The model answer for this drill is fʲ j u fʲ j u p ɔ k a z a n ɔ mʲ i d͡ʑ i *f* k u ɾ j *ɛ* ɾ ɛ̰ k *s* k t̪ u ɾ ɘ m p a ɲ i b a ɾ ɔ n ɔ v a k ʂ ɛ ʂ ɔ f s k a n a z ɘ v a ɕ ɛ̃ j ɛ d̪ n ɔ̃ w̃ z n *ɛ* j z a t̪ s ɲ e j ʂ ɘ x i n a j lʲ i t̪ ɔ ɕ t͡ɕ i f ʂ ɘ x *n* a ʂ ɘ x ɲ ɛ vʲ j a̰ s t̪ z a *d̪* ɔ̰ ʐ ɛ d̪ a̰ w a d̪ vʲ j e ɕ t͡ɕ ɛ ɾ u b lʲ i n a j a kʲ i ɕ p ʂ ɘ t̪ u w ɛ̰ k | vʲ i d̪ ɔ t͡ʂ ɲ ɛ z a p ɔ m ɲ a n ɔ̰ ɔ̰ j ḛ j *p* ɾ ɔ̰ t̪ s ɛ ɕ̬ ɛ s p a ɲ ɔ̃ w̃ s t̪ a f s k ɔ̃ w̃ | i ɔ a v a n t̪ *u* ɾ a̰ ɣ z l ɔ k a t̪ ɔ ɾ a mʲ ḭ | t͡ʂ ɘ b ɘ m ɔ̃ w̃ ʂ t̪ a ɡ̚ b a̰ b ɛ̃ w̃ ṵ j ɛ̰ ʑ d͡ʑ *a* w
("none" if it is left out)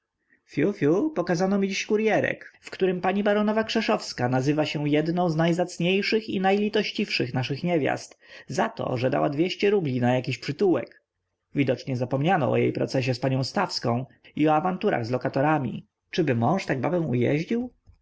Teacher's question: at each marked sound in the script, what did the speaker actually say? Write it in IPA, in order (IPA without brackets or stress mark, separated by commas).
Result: ɕ, ɛ, f, a, n, t̪, p, u, i